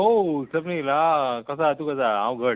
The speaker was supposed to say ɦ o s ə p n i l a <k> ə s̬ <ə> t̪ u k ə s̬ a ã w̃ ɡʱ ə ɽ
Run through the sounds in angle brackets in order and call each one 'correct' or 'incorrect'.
correct, incorrect

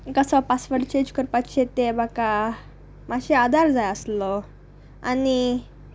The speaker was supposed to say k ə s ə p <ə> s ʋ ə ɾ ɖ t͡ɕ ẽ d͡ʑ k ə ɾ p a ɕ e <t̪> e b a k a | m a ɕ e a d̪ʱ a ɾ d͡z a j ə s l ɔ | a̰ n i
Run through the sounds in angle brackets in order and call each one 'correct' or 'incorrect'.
incorrect, correct

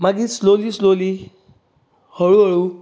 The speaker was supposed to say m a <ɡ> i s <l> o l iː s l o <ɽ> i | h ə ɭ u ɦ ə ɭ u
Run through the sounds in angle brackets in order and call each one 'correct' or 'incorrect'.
correct, correct, incorrect

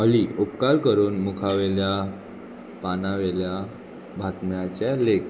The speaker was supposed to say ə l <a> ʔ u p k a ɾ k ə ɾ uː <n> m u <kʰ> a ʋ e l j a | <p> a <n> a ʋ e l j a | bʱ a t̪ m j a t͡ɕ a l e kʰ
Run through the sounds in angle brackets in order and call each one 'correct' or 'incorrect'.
incorrect, correct, correct, correct, correct

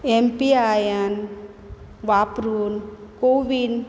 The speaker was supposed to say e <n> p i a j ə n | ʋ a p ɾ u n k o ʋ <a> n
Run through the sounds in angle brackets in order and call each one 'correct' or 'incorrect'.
incorrect, incorrect

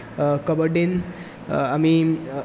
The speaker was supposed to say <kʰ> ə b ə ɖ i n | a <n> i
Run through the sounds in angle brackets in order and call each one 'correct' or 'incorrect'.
incorrect, incorrect

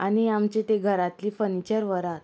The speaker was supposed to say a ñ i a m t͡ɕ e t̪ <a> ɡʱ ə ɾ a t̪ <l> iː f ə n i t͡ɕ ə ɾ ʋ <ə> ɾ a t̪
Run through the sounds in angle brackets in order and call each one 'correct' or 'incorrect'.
incorrect, correct, correct

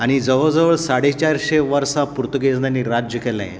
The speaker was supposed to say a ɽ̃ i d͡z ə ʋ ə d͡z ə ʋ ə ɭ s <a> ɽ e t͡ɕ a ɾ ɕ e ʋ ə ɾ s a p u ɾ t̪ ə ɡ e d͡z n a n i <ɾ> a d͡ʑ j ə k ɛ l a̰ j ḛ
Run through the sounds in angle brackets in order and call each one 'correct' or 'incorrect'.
correct, correct

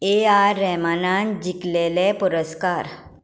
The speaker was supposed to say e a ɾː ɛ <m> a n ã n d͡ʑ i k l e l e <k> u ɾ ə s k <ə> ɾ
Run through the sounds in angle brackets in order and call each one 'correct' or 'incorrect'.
correct, incorrect, incorrect

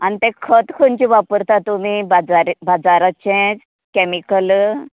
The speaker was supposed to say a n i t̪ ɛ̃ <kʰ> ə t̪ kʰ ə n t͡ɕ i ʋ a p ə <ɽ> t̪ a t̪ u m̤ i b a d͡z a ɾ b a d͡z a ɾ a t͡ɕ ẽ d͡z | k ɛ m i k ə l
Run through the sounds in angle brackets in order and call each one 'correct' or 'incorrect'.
correct, incorrect

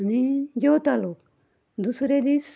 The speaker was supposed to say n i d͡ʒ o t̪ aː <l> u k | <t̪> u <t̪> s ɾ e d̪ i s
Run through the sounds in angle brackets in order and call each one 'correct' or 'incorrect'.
correct, incorrect, incorrect

